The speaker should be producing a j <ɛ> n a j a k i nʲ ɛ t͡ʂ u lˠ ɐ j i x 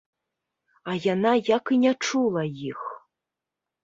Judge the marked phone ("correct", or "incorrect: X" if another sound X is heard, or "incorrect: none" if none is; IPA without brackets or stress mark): incorrect: a